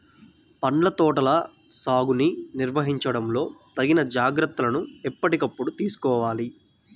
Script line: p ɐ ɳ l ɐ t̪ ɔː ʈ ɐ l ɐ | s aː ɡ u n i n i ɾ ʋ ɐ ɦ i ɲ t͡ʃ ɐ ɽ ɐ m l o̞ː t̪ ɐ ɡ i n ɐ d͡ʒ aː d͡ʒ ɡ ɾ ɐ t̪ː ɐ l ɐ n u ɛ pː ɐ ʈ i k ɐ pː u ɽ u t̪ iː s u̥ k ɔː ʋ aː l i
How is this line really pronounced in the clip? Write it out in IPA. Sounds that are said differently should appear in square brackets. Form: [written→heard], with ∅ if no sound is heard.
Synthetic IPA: p ɐ ɳ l ɐ t̪ ɔː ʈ ɐ l ɐ | s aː ɡ u n i n i ɾ ʋ ɐ ɦ i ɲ t͡ʃ ɐ ɽ ɐ m l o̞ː t̪ ɐ ɡ i n ɐ d͡ʒ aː [d͡ʒ→∅] ɡ ɾ ɐ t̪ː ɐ l ɐ n u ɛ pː ɐ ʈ i k ɐ pː u ɽ u t̪ iː s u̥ k ɔː ʋ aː l i